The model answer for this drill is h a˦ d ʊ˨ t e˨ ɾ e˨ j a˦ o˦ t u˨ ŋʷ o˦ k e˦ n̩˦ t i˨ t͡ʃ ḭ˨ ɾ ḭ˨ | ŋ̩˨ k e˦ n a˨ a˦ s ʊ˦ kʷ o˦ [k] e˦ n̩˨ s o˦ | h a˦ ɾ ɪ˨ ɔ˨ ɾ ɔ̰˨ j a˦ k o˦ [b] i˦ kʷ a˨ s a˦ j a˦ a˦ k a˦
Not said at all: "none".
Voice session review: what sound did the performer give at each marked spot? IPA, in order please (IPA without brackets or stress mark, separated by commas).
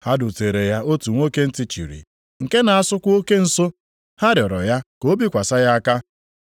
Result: k, b